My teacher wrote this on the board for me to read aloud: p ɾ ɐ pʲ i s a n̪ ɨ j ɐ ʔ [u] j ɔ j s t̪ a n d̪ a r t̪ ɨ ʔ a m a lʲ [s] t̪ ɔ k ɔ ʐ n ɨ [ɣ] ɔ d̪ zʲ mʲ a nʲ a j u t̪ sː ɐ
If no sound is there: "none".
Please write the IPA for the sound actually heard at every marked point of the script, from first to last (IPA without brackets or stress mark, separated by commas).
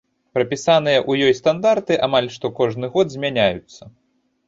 u, ʂ, ɣ